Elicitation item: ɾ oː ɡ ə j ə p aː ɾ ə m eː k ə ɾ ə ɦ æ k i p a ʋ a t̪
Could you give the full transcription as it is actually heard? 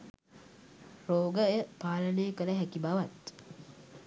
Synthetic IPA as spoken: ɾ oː ɡ ə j ə p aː l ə n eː k ə l ə ɦ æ k i b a ʋ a t̪